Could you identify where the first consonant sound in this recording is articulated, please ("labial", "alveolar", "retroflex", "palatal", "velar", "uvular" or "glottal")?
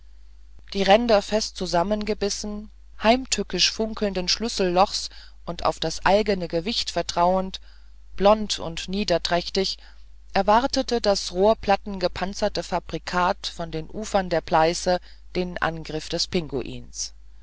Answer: alveolar